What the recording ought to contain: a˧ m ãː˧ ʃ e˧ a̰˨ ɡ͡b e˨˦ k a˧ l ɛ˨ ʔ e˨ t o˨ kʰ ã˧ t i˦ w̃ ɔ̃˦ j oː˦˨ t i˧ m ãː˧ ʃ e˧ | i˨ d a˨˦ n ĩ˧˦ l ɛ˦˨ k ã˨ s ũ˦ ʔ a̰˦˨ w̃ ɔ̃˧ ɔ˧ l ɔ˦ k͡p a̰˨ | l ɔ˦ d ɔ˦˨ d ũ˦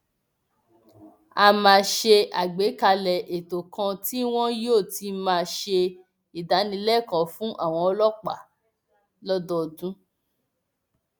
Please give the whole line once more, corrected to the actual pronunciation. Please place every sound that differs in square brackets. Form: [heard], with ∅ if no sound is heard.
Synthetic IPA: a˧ m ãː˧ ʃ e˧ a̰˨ ɡ͡b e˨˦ k a˧ l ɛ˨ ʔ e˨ t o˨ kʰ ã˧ t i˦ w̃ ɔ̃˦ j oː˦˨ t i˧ m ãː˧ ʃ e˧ | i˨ d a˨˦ n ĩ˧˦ l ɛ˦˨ k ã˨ [f] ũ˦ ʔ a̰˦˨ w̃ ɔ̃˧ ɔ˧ l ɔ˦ k͡p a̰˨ | l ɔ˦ d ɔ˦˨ d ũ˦